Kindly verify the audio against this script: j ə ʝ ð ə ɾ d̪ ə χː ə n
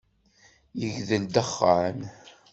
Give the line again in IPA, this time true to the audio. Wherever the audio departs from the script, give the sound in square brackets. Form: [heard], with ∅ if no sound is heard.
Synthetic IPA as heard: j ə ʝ ð ə [l] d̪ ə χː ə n